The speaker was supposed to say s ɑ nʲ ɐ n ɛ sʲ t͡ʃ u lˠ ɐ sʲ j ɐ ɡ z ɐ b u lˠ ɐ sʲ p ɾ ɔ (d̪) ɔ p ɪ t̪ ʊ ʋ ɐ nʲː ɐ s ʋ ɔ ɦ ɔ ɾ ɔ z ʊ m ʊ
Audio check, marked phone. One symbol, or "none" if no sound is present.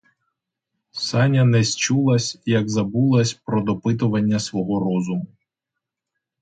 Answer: d̪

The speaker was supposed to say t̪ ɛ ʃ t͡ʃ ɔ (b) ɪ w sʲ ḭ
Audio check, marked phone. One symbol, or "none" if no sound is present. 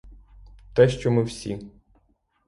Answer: m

